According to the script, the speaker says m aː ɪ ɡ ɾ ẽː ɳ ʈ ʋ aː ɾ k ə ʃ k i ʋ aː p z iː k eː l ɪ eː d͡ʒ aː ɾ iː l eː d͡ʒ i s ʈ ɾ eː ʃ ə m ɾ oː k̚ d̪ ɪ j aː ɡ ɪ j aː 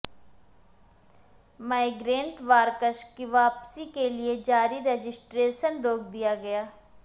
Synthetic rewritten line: m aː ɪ ɡ ɾ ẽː ɳ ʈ ʋ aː ɾ k ə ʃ k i ʋ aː p s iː k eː l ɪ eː d͡ʒ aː ɾ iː ɾ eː d͡ʒ ɪ s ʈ ɾ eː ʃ ə n ɾ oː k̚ d̪ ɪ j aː ɡ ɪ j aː